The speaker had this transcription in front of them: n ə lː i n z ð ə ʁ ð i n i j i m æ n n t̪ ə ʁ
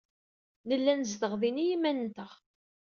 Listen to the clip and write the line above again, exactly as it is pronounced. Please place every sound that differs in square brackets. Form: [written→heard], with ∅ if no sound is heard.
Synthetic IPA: n ə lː [i→æ] n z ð ə ʁ ð i n i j i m æ n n t̪ ə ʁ